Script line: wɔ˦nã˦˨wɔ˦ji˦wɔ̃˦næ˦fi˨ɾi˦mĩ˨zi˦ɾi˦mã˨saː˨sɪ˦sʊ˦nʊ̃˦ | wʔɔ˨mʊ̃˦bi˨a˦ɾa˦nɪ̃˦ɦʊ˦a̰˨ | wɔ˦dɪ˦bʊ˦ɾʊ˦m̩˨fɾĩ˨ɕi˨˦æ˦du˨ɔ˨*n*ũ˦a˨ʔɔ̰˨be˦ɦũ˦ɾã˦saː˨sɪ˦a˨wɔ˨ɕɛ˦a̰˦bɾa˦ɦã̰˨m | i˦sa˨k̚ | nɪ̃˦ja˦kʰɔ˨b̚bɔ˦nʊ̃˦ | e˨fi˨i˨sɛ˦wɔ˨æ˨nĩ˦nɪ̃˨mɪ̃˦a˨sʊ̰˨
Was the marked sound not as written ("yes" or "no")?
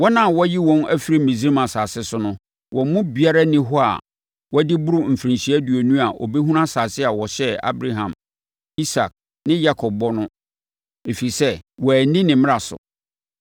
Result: no